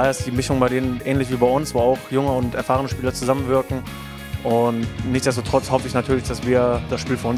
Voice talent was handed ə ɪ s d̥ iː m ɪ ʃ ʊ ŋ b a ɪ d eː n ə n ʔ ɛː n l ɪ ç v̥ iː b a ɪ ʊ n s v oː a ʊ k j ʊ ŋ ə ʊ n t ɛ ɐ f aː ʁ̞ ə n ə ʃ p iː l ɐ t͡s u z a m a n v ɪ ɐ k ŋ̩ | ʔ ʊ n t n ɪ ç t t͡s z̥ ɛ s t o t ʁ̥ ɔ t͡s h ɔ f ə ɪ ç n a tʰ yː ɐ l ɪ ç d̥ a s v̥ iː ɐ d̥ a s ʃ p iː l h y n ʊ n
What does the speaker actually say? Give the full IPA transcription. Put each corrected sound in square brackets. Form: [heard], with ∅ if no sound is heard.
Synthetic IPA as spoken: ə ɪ s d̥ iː m ɪ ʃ ʊ ŋ b a ɪ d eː n ə n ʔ ɛː n l ɪ ç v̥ iː b a ɪ ʊ n s v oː a ʊ [x] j ʊ ŋ ə ʊ n t ɛ ɐ f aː ʁ̞ ə n ə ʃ p iː l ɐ t͡s u z a m [ə] n v ɪ ɐ k ŋ̩ | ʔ ʊ n t n ɪ ç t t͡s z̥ ɛ s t o t ʁ̥ ɔ t͡s h ɔ f ə ɪ ç n a tʰ yː ɐ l ɪ ç d̥ a s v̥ iː ɐ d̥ a s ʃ p iː l [f] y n ʊ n